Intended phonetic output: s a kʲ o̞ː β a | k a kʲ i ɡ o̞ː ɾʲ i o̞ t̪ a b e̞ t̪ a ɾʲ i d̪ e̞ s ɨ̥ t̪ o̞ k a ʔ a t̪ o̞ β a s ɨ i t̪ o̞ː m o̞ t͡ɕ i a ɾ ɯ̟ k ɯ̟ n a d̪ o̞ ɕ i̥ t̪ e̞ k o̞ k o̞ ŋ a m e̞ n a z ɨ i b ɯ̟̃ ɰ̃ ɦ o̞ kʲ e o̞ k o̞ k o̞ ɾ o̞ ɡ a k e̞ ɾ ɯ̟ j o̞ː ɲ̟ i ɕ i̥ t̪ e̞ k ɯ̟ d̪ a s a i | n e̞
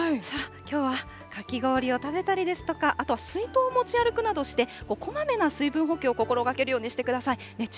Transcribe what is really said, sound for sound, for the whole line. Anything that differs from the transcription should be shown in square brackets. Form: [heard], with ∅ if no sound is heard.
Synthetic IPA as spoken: s a kʲ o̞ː β a | k a kʲ i ɡ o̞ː ɾʲ i o̞ t̪ a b e̞ t̪ a ɾʲ i d̪ e̞ s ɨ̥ t̪ o̞ k a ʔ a t̪ o̞ β a s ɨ i t̪ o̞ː m o̞ t͡ɕ i a ɾ ɯ̟ k ɯ̟ n a d̪ o̞ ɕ i̥ t̪ e̞ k o̞ k o̞ [m] a m e̞ n a [s] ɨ i b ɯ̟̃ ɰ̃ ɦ o̞ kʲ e o̞ k o̞ k o̞ ɾ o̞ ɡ a k e̞ ɾ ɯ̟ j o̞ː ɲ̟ i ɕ i̥ t̪ e̞ k ɯ̟ d̪ a s a i | n e̞